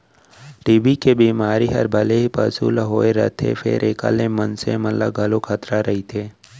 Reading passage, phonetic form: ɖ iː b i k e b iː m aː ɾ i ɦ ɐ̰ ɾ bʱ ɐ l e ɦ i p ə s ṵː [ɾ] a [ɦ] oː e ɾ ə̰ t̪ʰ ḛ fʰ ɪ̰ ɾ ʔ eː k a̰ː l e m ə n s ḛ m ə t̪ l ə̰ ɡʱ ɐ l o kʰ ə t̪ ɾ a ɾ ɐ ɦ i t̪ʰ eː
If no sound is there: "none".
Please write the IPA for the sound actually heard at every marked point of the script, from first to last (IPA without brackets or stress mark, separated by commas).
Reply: l, ɦ